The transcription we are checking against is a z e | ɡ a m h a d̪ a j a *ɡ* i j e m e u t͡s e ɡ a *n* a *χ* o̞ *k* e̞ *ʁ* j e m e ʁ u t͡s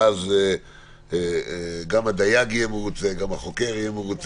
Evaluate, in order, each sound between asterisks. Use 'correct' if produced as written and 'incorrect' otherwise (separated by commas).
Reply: correct, incorrect, correct, correct, correct